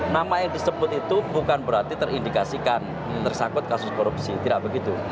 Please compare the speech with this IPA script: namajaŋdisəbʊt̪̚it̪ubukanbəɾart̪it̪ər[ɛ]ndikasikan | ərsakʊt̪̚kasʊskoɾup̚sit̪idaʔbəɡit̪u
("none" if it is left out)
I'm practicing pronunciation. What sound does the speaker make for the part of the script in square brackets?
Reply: i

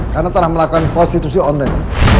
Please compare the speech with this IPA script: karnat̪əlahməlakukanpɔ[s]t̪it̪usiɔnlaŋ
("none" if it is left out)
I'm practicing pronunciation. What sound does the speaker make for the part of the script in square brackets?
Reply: s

